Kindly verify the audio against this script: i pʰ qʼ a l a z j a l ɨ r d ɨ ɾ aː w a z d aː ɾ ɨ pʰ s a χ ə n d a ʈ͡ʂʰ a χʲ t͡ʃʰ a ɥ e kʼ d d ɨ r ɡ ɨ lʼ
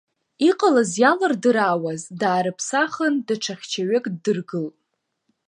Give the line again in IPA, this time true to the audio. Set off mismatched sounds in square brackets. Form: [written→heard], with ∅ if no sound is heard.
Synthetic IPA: i [pʰ→∅] qʼ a l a z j a l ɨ r d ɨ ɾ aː w a z d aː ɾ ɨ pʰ s a χ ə n d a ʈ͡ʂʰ a χʲ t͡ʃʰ a ɥ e kʼ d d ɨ r ɡ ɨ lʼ